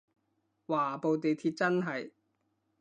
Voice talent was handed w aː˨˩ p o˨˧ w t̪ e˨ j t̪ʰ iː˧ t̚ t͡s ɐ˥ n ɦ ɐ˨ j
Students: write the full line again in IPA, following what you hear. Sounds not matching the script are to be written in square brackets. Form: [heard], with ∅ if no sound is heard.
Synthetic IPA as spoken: w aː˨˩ p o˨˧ w t̪ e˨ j t̪ʰ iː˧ t̚ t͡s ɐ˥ n ɦ ɐ˨ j